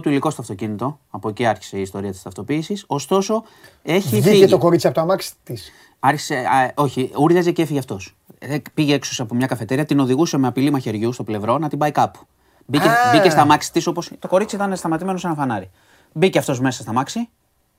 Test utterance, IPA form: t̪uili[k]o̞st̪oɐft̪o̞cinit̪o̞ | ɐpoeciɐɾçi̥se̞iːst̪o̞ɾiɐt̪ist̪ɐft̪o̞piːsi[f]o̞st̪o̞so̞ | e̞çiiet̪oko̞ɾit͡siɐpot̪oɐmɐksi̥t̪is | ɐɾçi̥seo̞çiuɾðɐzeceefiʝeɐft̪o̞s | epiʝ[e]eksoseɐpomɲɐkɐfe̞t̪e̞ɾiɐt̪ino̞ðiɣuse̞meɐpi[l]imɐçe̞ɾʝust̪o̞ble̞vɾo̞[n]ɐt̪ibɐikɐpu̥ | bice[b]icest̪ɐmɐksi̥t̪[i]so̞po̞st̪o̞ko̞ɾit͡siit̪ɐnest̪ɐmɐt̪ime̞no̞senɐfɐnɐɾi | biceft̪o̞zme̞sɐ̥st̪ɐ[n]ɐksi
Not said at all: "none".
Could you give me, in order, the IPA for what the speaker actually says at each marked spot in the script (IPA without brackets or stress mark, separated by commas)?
k, s, e, l, n, b, i, m